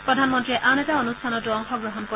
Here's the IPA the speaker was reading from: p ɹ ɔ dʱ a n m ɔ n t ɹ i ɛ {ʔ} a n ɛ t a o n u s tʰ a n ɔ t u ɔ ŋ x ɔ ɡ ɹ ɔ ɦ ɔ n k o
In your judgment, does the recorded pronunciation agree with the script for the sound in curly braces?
yes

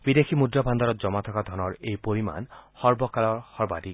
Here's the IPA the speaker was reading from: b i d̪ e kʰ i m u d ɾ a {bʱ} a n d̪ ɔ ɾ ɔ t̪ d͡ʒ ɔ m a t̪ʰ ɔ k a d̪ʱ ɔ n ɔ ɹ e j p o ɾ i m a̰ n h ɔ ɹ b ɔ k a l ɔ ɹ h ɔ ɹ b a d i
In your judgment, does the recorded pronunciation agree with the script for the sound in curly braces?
yes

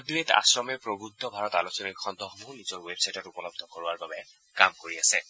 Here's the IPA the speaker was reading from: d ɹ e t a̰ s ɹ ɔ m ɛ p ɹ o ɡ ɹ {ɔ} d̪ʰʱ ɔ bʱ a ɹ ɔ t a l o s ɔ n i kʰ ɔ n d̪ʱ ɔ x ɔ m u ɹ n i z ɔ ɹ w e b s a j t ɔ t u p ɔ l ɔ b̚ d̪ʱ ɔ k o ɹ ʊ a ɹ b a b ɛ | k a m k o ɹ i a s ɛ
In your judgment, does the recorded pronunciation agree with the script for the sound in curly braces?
no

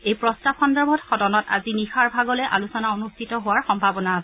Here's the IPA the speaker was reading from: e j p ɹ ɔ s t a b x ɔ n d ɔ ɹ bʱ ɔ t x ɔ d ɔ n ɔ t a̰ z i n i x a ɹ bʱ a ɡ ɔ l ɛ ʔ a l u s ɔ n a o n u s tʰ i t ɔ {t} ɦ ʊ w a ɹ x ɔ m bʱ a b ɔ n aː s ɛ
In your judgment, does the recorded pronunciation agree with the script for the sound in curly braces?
no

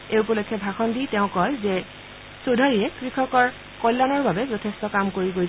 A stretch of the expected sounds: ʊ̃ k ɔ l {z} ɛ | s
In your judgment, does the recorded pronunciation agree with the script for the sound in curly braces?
yes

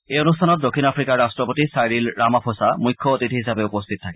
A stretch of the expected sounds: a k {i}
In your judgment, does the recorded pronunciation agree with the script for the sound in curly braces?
no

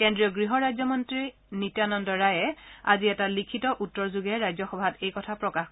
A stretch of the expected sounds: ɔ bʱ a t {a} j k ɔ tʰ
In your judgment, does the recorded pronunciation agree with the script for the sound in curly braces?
no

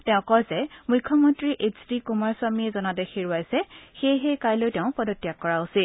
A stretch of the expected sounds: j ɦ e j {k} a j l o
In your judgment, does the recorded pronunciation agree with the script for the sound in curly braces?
yes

